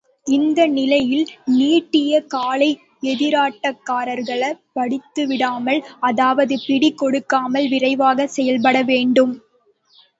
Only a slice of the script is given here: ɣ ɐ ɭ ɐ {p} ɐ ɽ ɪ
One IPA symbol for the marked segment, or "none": p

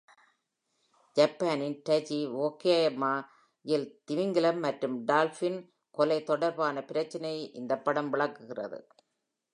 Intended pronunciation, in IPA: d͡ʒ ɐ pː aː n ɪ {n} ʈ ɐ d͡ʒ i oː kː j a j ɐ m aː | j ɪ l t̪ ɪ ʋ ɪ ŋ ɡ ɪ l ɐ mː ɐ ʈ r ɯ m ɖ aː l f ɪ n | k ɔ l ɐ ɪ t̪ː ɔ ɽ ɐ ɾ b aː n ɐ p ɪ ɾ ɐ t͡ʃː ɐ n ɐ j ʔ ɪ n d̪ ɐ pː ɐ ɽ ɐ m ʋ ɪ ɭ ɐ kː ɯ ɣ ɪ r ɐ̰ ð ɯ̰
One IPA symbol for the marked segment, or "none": n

